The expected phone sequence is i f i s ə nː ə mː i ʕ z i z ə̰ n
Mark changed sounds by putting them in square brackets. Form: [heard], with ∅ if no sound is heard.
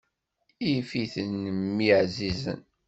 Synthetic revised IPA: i f i [θ] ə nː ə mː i ʕ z i z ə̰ n